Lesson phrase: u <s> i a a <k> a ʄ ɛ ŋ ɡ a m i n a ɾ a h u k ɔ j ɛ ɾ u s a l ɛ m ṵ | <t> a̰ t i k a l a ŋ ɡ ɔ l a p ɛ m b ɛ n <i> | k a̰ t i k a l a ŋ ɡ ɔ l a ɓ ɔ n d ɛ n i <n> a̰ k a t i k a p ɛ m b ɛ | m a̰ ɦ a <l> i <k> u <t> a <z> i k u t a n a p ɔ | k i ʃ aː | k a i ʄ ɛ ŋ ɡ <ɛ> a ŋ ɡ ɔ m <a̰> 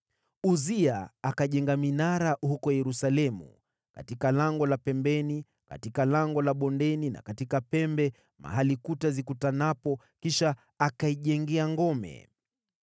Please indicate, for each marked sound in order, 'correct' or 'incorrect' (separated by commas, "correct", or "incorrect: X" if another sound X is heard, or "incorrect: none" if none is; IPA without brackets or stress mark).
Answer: incorrect: z, correct, incorrect: k, correct, correct, correct, correct, correct, correct, correct, incorrect: ɛ̰